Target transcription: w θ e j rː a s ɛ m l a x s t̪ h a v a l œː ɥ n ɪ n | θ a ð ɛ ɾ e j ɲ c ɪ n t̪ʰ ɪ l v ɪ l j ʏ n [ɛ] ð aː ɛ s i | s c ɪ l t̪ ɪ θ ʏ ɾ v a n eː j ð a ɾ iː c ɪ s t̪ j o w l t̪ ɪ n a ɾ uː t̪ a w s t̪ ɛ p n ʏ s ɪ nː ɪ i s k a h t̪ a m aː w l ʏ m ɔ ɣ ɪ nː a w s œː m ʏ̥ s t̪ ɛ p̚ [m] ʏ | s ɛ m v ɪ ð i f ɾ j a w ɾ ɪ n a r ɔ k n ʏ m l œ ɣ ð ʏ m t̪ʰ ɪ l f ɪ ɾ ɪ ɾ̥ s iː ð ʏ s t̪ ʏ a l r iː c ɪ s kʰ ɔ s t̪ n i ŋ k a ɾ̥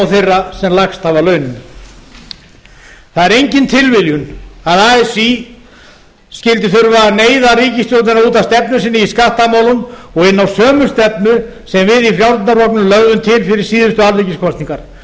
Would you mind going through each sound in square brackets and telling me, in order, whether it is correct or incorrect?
incorrect, incorrect

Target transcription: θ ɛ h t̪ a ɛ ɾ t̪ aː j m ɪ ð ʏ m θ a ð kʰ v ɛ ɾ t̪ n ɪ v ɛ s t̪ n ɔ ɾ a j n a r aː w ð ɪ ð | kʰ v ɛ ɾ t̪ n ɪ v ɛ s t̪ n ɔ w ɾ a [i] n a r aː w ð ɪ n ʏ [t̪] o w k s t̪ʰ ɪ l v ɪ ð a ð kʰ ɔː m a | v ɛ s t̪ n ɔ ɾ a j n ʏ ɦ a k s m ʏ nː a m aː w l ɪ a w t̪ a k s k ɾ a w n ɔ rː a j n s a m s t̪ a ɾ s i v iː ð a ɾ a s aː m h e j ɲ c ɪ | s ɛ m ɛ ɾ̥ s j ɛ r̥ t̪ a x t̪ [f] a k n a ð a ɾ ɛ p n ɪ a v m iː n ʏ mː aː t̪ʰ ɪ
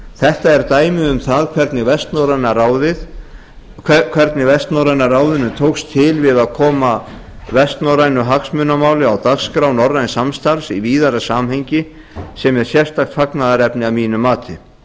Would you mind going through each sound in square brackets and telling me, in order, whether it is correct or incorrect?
incorrect, incorrect, correct

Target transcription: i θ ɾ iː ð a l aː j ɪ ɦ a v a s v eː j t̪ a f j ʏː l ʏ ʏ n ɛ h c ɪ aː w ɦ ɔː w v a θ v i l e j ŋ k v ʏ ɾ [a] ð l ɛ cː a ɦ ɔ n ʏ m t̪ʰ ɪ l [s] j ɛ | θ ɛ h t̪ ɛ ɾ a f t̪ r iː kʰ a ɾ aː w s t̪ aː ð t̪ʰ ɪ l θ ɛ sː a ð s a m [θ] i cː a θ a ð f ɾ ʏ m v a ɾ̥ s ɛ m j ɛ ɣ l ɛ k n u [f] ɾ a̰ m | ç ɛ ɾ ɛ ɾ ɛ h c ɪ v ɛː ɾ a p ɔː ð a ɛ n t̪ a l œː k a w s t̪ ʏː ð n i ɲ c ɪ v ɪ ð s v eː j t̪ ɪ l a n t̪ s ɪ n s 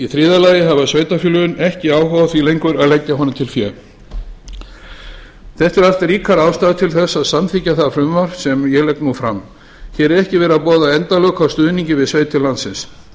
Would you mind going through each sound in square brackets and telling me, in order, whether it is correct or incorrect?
correct, incorrect, correct, correct

